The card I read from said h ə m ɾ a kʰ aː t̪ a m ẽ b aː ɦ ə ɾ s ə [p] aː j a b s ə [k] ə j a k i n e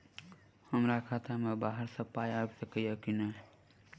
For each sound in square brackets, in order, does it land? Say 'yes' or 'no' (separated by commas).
yes, yes